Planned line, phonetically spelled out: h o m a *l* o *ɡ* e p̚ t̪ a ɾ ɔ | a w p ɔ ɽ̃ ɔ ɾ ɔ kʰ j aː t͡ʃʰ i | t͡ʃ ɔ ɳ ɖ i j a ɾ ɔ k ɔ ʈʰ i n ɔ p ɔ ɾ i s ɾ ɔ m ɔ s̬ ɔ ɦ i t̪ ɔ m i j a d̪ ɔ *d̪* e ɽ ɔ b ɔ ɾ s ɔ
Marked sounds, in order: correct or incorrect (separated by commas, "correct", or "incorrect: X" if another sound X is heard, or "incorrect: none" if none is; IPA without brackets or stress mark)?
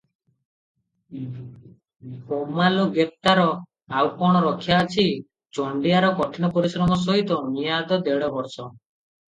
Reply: correct, correct, correct